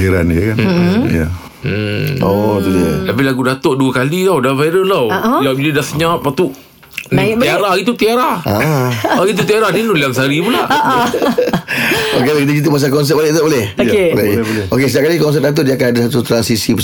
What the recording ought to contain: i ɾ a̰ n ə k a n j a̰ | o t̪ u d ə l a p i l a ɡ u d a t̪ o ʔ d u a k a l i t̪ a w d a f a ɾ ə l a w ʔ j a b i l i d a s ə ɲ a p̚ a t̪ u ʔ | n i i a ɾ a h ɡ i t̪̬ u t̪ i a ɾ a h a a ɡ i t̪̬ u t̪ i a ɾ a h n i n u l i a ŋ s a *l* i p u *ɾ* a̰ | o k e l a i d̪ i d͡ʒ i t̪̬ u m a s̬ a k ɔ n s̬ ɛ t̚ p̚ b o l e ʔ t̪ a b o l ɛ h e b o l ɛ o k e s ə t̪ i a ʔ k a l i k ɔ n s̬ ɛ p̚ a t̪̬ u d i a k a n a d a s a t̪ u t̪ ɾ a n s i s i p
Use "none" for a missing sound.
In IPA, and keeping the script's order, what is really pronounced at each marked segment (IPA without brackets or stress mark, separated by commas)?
ɾ, l